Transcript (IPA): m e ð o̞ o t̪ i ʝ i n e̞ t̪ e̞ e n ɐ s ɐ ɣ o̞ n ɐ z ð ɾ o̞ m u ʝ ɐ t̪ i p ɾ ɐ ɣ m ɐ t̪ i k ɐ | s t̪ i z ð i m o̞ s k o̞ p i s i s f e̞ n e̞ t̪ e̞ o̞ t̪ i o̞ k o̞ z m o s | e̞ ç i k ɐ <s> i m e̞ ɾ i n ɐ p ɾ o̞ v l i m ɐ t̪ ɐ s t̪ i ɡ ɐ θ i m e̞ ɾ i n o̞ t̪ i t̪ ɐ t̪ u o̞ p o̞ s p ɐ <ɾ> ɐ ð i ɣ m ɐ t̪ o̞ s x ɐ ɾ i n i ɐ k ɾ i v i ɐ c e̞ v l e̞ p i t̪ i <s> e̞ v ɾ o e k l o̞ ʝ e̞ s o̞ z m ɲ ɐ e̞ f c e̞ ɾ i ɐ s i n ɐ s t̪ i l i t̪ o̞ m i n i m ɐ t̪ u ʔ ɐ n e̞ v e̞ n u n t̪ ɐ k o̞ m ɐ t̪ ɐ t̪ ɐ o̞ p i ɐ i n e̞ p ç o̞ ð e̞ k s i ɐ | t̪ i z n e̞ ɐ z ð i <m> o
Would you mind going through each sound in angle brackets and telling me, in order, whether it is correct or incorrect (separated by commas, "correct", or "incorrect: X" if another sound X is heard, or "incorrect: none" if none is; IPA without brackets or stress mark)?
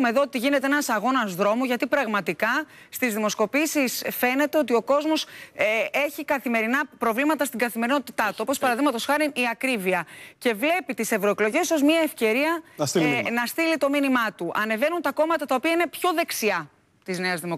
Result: incorrect: θ, correct, correct, correct